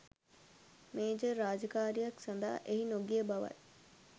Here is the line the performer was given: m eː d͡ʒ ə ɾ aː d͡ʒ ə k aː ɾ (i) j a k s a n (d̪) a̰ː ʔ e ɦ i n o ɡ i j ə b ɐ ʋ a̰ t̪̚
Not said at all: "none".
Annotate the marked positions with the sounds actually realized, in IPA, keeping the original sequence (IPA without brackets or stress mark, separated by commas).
i, d̪